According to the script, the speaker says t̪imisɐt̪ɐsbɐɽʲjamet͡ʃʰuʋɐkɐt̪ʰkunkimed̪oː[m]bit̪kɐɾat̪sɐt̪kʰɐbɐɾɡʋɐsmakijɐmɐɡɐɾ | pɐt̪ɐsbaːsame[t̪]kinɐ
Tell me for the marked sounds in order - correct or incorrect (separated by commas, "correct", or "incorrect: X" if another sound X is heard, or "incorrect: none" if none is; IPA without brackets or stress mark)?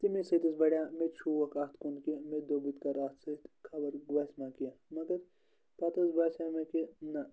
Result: incorrect: none, incorrect: none